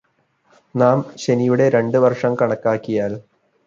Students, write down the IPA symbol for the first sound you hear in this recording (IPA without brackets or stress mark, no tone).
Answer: n